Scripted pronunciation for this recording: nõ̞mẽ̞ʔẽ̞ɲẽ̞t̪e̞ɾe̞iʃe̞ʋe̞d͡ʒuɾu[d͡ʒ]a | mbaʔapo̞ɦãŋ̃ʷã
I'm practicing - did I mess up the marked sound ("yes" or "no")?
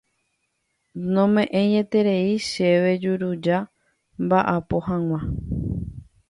no